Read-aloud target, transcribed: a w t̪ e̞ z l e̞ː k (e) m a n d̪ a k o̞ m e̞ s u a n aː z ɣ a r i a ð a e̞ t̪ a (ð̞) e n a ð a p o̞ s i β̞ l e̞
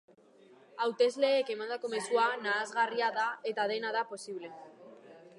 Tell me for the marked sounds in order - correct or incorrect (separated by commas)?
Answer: correct, correct